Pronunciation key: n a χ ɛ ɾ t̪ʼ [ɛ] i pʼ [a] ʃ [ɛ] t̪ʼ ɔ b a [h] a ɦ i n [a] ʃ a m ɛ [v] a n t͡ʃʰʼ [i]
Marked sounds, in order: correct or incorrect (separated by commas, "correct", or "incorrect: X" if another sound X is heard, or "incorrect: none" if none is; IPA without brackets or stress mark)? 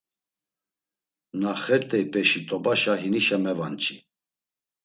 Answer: correct, incorrect: ɛ, incorrect: i, incorrect: ʃ, incorrect: i, correct, correct